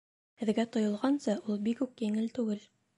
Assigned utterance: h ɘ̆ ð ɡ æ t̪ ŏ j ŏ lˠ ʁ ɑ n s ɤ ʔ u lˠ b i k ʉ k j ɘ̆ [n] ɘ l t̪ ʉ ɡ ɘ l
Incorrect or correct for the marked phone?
incorrect: ŋ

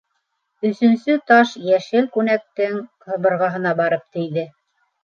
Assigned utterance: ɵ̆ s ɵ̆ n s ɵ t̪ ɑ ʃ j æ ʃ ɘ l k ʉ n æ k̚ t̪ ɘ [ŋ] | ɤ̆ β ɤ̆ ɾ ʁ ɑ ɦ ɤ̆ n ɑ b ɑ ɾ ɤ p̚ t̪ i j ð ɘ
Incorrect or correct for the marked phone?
correct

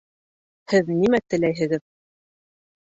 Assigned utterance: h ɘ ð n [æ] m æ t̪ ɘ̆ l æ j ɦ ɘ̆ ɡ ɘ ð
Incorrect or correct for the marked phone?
incorrect: i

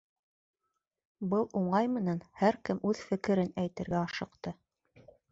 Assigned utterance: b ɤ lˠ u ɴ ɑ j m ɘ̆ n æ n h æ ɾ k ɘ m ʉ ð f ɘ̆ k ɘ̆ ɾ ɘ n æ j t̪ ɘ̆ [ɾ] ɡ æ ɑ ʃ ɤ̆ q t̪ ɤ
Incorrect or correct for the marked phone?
correct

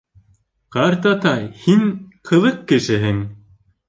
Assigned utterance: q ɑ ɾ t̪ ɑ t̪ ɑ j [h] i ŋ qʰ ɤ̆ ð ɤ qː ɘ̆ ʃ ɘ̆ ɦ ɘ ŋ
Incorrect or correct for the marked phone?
correct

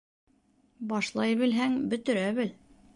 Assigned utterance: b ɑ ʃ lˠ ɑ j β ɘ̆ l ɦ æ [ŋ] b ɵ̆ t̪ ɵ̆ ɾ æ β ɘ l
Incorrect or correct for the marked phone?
correct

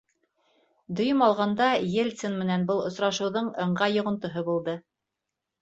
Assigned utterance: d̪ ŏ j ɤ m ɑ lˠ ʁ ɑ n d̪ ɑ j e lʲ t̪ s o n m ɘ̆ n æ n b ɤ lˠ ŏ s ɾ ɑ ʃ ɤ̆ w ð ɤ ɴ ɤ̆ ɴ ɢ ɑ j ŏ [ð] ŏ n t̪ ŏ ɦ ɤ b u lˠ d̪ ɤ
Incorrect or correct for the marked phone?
incorrect: ʁ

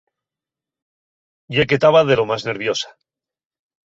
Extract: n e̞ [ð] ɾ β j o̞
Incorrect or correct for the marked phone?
incorrect: none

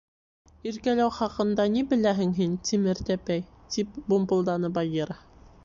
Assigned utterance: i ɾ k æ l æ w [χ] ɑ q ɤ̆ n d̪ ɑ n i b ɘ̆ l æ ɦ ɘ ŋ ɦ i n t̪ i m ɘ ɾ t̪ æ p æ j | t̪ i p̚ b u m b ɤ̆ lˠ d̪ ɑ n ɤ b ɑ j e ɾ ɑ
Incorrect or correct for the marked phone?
correct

